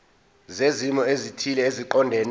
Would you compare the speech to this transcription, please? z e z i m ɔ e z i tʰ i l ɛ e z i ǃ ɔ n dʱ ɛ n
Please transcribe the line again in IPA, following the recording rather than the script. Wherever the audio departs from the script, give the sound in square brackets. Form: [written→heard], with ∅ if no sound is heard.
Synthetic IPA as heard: z e z i m ɔ e z i tʰ i l ɛ e z i ǃ ɔ n dʱ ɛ n

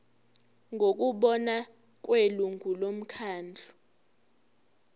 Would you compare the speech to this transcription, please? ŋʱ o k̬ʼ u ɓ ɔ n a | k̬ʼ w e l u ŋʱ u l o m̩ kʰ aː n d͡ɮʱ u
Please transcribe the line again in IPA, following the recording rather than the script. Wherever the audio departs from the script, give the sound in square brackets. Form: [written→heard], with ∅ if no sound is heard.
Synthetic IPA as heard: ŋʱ o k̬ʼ u ɓ ɔ n a | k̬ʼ w e l u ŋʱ u l o m̩ kʰ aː n d͡ɮʱ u

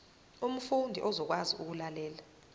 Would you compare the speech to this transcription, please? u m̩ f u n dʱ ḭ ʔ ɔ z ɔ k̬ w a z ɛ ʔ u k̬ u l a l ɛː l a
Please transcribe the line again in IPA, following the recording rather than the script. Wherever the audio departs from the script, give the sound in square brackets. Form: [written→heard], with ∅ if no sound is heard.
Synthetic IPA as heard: u m̩ f u n dʱ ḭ ʔ ɔ z ɔ k̬ w a z [ɛ→i] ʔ u k̬ u l a l ɛː l a

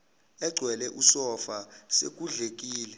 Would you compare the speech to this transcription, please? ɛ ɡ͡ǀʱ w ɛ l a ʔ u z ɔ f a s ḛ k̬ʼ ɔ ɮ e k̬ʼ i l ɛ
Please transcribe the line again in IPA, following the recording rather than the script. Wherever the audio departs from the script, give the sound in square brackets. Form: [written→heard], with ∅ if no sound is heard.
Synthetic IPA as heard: ɛ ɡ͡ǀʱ w ɛ l [a→ɛ] ʔ u [z→s] ɔ f a s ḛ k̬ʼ [ɔ→u] ɮ e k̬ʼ [i→iː] l ɛ

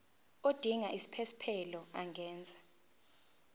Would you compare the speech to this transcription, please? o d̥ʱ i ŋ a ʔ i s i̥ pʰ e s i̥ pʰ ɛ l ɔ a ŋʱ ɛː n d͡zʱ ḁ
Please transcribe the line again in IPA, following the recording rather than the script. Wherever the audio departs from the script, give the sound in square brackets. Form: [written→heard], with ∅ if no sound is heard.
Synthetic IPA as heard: o d̥ʱ i ŋ a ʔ i s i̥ pʰ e s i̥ pʰ ɛ l ɔ a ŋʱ ɛː n d͡zʱ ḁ

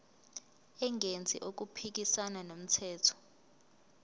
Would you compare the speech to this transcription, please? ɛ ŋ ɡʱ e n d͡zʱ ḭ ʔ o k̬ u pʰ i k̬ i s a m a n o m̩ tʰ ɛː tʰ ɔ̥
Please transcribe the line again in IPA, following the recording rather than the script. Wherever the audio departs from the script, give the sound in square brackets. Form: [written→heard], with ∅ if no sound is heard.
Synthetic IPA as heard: ɛ ŋ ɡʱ e n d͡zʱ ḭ ʔ o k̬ u pʰ i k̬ i s a [m→n] a n o m̩ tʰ ɛː tʰ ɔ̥

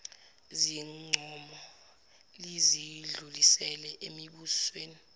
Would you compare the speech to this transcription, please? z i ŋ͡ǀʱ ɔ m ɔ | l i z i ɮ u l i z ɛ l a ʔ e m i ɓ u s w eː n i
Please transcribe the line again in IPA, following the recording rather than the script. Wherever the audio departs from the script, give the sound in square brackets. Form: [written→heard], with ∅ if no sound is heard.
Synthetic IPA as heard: z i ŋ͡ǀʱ ɔ m ɔ | l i z i ɮ u l i [z→s] ɛ l [a→ɛ] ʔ e m i ɓ u s w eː n i

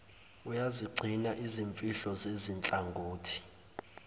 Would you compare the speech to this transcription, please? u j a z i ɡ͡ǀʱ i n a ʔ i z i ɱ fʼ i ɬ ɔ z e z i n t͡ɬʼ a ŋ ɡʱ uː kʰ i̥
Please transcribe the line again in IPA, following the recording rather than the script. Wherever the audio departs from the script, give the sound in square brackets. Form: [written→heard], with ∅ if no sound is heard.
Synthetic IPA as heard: u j a z i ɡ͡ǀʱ i n a ʔ i z i ɱ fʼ i ɬ ɔ z e z i n t͡ɬʼ a ŋ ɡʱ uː [kʰ→tʰ] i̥

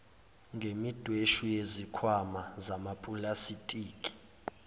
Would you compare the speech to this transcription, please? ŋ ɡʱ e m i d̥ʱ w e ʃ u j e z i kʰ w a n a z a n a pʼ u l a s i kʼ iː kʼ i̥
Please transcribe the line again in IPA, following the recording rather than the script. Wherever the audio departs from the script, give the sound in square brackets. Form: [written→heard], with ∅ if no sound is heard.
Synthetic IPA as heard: ŋ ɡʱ e m i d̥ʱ w e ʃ u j e z i kʰ w a [n→m] a z a [n→m] a pʼ u l a s i [kʼ→tʼ] iː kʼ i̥

